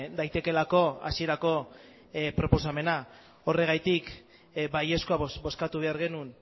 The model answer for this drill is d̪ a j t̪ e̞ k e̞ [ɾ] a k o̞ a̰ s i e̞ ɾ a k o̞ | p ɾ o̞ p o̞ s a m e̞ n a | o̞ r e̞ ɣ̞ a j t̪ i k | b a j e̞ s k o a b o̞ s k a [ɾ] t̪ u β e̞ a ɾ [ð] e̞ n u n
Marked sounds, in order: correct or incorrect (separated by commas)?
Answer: incorrect, incorrect, incorrect